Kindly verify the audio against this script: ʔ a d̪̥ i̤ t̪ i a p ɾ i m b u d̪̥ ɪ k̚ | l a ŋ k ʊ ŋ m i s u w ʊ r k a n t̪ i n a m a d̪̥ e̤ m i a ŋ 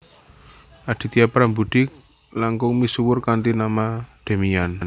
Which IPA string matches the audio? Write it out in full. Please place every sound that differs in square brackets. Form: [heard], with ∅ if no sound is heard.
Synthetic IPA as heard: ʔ a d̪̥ i̤ t̪ i a p ɾ [a] m b u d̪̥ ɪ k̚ | l a ŋ k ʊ ŋ m i s u w ʊ r k a n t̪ i n a m a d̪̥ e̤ m i a [n]